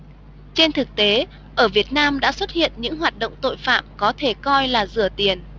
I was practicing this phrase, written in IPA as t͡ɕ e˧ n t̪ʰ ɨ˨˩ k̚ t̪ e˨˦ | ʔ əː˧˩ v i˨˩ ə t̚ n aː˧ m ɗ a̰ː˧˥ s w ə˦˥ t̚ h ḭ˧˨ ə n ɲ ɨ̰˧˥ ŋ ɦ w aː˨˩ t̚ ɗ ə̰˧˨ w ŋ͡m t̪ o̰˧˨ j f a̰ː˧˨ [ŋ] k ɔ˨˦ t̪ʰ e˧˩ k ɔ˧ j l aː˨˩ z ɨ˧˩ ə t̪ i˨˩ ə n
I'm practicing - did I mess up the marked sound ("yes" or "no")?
yes